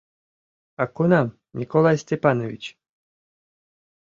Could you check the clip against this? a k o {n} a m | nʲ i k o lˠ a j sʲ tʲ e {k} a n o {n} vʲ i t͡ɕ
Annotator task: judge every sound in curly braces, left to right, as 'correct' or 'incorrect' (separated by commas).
correct, incorrect, incorrect